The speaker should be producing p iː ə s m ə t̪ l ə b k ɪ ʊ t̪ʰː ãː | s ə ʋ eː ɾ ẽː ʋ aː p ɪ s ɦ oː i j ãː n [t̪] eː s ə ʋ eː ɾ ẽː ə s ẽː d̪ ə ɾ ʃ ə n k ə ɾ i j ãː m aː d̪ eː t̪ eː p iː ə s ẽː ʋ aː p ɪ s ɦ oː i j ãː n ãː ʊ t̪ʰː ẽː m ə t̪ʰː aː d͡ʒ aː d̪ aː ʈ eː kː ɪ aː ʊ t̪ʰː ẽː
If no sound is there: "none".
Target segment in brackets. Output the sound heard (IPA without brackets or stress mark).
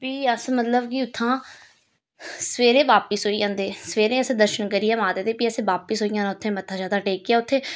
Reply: d̪